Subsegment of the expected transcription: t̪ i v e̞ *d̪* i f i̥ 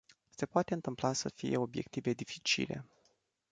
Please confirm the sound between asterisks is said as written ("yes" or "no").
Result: yes